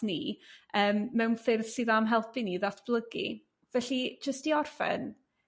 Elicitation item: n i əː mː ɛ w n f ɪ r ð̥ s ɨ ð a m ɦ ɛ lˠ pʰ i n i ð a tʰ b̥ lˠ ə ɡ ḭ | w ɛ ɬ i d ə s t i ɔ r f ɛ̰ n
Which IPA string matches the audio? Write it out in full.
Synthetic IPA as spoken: n i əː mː ɛ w n f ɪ r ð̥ s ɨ ð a m ɦ ɛ lˠ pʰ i n i ð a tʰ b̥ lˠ ə ɡ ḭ | v ɛ ɬ i d͡ʒ ə s t i ɔ r f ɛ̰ n